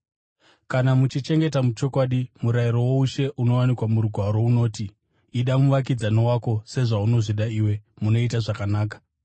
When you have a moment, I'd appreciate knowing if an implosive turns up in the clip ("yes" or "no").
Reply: yes